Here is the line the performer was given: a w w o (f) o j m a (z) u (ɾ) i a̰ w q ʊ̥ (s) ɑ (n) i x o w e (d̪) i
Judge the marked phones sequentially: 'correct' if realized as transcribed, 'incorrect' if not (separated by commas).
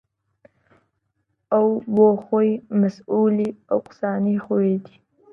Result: incorrect, incorrect, incorrect, correct, correct, correct